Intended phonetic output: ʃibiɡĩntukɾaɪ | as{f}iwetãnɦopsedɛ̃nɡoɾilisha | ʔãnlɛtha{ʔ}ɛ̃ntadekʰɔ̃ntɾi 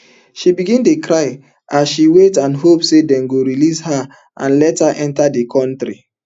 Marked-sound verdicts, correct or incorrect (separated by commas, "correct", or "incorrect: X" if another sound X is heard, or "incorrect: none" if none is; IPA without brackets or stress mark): incorrect: ʃ, correct